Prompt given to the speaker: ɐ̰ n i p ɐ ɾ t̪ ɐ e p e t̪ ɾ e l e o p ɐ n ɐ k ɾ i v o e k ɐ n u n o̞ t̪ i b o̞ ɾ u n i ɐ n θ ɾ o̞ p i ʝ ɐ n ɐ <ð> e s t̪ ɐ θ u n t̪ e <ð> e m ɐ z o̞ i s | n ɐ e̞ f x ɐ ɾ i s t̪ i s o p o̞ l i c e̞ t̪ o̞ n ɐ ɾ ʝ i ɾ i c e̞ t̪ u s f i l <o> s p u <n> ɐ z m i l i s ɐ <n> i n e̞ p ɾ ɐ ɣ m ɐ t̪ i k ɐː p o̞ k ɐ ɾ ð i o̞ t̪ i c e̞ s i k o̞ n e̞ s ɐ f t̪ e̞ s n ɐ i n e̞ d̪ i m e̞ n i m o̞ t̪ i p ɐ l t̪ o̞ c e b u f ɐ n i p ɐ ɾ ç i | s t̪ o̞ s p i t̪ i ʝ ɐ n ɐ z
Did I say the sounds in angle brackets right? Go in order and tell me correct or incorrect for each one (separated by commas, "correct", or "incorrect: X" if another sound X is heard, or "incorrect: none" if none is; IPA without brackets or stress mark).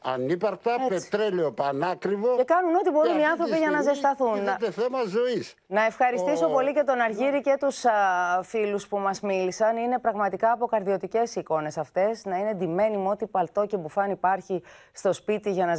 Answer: incorrect: z, incorrect: θ, incorrect: u, incorrect: m, correct